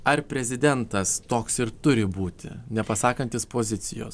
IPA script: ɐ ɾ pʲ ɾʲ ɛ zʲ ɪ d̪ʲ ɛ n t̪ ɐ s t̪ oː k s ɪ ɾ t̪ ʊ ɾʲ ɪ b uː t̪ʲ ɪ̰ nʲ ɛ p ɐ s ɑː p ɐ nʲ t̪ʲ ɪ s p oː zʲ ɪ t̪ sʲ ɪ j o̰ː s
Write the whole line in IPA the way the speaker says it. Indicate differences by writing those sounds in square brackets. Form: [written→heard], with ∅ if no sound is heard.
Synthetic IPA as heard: ɐ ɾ pʲ ɾʲ ɛ zʲ ɪ d̪ʲ ɛ n t̪ ɐ s t̪ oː k s ɪ ɾ t̪ ʊ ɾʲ ɪ b uː t̪ʲ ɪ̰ nʲ ɛ p ɐ s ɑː [p→k] ɐ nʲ t̪ʲ ɪ s p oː zʲ ɪ t̪ sʲ ɪ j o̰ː s